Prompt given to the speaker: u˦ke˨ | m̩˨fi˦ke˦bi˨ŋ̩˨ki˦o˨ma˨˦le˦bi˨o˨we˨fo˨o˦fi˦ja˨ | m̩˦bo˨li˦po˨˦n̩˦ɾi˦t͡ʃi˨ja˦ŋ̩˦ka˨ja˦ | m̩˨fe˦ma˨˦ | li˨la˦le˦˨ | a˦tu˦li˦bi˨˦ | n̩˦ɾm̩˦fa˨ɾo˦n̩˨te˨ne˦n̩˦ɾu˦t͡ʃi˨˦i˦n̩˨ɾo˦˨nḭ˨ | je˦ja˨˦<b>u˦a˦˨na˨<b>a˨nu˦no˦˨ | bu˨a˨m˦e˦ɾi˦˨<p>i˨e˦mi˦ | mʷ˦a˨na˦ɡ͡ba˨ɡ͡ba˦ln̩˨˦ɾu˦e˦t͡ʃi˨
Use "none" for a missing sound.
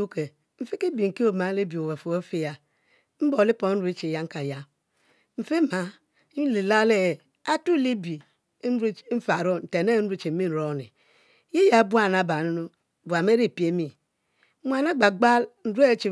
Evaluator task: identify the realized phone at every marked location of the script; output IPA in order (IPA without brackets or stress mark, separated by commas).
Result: b, b, p